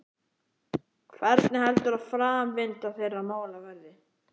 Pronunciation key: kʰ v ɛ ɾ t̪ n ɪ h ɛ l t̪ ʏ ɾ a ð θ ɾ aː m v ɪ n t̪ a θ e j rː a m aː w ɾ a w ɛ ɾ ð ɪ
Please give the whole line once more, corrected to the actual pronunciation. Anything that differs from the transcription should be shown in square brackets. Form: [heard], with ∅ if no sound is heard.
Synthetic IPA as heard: kʰ v ɛ ɾ t̪ n ɪ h ɛ l t̪ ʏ ɾ a ð [f] ɾ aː m v ɪ n t̪ a θ e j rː a m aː w [l] a [v] ɛ ɾ ð ɪ